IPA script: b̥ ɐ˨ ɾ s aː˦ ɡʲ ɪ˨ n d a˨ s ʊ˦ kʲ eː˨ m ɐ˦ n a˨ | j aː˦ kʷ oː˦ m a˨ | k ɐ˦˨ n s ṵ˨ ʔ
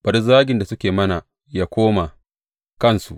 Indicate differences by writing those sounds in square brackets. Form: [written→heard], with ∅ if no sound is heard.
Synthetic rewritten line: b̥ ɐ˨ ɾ [s→z] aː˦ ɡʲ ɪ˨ n d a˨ s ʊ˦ kʲ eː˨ m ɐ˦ n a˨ | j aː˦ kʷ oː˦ m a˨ | k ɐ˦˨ n s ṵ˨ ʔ